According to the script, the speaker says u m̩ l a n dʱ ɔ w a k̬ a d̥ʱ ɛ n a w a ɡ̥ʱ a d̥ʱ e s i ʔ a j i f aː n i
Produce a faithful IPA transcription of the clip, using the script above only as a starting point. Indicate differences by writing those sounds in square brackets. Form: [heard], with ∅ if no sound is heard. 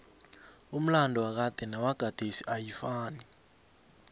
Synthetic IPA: u m̩ l a n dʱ ɔ w a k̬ a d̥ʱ ɛ n a w a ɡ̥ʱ a d̥ʱ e s i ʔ a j i f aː n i